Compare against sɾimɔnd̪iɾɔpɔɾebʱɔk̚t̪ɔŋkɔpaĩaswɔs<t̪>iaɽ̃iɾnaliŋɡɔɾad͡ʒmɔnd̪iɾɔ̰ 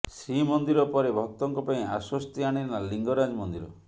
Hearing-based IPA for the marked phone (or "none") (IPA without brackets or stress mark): t̪